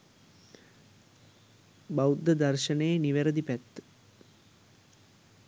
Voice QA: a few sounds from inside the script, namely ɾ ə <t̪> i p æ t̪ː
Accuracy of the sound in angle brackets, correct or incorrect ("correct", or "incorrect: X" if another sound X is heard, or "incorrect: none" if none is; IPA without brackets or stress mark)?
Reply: incorrect: d̪